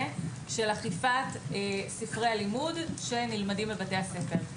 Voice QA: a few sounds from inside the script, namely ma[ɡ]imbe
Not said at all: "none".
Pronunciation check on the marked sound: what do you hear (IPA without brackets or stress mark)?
d